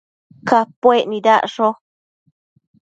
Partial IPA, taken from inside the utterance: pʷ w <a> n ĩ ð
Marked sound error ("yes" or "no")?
yes